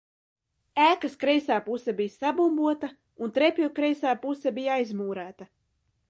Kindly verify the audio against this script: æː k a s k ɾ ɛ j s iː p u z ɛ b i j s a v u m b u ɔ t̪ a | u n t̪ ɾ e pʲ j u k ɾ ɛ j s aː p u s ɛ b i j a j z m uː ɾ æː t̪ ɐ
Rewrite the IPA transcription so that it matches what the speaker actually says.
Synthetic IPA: æː k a s k ɾ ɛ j s aː p u s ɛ b i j s a b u m b u ɔ t̪ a | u n t̪ ɾ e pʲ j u k ɾ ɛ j s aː p u s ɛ b i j a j z m uː ɾ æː t̪ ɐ

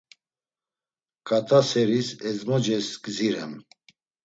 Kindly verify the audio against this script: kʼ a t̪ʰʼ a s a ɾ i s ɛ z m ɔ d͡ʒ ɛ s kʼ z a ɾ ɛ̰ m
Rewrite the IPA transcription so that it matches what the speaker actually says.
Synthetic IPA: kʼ a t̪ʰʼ a s ɛ ɾ i s ɛ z m ɔ d͡ʒ ɛ s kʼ z i ɾ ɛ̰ m

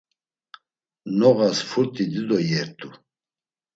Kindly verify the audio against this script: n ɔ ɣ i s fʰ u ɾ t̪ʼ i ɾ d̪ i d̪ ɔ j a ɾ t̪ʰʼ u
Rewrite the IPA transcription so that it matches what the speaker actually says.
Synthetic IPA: n ɔ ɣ a s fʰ u ɾ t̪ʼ i d̪ i d̪ ɔ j ɛ ɾ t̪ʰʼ u

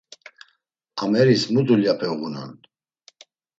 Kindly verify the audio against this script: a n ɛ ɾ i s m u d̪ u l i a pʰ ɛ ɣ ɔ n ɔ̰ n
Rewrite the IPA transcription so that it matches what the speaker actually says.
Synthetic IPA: a m ɛ ɾ i s m u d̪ u l j a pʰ ɛ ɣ u n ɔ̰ n

